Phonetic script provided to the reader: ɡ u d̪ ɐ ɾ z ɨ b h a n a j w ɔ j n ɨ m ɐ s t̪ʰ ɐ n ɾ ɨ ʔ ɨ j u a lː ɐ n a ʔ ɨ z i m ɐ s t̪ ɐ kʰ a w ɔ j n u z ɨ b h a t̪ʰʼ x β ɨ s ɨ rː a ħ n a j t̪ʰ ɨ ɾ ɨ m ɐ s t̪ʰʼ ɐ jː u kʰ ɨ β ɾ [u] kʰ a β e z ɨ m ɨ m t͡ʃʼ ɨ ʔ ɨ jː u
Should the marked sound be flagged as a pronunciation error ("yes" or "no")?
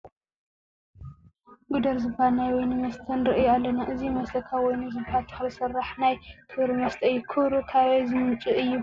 no